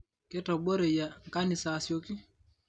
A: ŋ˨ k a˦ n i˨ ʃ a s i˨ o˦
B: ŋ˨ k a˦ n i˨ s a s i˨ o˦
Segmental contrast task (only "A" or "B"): B